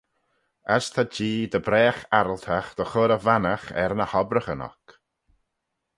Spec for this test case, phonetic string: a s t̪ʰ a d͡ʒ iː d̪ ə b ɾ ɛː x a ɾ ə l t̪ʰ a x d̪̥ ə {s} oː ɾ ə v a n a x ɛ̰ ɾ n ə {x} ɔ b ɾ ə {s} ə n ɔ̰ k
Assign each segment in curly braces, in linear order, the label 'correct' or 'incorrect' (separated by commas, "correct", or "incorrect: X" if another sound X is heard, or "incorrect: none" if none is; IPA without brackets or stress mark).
incorrect: x, incorrect: h, incorrect: x